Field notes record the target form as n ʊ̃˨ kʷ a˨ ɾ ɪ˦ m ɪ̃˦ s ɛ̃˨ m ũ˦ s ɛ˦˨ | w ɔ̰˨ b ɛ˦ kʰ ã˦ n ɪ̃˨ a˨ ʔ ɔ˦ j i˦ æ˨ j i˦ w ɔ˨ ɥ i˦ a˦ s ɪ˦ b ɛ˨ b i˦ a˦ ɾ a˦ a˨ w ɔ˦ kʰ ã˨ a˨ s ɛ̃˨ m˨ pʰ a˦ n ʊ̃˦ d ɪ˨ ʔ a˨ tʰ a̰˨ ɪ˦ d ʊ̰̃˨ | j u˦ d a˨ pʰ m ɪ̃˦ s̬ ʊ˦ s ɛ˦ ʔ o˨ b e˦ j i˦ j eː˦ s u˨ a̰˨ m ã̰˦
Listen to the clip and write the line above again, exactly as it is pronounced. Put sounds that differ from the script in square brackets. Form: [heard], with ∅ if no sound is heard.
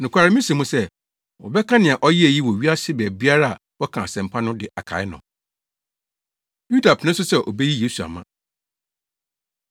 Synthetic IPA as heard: n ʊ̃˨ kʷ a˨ ɾ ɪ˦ m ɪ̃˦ s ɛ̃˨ m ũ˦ s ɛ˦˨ | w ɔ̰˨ b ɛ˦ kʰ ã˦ n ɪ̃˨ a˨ ʔ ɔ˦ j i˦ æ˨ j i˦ w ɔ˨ ɥ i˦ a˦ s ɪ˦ b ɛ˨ b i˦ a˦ ɾ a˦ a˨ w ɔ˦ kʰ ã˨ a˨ s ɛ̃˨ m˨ pʰ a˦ n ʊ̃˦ d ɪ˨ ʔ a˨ [kʰ] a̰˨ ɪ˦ [n] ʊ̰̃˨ | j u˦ d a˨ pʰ [n] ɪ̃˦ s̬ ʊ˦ s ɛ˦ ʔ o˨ b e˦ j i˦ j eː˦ s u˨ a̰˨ m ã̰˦